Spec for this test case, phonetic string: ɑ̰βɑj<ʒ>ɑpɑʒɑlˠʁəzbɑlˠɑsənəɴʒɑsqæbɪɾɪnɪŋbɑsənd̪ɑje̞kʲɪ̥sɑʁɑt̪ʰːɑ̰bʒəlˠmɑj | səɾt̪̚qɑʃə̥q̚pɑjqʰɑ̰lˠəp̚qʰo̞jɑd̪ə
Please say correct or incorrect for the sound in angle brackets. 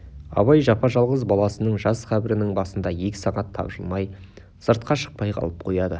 correct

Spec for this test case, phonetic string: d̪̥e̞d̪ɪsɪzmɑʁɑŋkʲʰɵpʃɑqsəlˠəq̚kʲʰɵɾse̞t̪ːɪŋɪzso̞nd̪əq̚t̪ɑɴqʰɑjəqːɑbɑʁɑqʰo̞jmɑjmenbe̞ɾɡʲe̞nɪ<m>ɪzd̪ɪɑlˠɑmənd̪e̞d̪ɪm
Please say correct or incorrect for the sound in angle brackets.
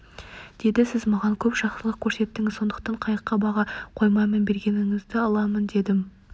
incorrect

